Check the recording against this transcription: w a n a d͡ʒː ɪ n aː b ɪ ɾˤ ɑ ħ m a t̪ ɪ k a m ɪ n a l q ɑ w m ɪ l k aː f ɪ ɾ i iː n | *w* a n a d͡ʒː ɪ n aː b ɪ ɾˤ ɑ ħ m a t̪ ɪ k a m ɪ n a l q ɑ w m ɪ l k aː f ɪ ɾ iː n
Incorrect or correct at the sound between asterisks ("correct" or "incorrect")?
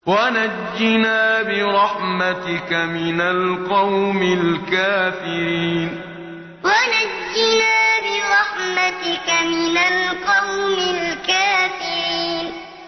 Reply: correct